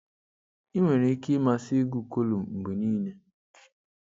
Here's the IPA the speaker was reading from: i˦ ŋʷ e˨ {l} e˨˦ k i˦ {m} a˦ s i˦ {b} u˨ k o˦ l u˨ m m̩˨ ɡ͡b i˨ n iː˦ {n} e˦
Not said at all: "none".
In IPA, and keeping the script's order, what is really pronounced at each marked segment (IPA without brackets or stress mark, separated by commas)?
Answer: ɾ, m, ɡ, n